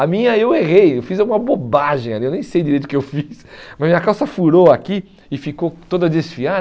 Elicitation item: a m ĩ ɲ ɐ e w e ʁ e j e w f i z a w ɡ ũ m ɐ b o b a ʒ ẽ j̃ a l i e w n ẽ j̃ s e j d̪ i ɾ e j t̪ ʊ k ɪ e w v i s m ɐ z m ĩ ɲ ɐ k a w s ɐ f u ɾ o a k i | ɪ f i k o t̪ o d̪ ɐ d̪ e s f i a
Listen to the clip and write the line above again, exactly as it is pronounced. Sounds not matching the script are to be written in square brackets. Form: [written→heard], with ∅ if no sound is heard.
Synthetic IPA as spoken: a m ĩ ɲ ɐ e w e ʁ e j e w f i z a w ɡ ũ m ɐ b o b a ʒ ẽ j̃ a l i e w n ẽ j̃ s e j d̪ i ɾ e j t̪ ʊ k ɪ e w [v→f] i s m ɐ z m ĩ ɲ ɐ k a w s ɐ f u ɾ o a k i | ɪ f i k o t̪ o d̪ ɐ d̪ e s f i a